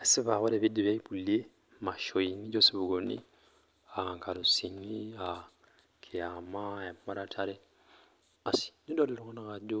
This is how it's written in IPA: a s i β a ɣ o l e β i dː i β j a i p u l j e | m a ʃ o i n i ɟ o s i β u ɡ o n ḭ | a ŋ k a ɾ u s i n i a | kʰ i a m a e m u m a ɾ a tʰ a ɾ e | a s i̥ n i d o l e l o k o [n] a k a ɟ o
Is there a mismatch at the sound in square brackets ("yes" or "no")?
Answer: no